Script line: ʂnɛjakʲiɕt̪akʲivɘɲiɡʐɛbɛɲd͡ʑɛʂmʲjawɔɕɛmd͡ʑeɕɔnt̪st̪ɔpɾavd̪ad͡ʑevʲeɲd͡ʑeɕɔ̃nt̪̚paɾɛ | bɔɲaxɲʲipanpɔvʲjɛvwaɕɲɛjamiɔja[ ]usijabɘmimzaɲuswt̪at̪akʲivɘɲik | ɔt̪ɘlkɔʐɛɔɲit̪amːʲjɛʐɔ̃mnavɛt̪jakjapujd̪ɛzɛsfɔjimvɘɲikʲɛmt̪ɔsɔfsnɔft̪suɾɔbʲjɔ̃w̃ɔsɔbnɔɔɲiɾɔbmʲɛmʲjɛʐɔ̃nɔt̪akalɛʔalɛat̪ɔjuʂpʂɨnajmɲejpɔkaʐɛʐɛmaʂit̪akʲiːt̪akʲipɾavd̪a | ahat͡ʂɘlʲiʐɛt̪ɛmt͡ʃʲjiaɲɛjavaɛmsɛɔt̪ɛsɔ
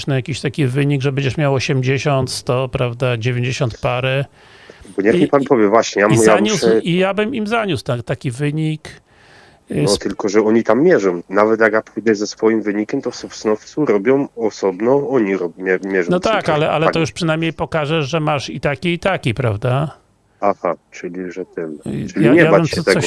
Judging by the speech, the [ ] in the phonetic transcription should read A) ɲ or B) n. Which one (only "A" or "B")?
A